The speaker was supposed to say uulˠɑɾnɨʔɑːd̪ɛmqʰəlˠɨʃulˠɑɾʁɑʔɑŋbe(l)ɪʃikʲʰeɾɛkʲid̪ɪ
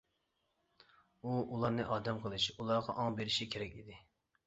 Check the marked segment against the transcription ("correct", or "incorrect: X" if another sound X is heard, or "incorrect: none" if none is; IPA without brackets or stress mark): incorrect: ɾ